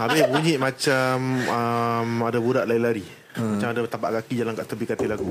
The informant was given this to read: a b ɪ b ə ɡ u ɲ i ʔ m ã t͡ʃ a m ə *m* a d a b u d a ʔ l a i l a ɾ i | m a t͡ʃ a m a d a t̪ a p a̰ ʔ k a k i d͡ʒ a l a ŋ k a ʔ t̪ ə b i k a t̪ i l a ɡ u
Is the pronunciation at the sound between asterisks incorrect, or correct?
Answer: correct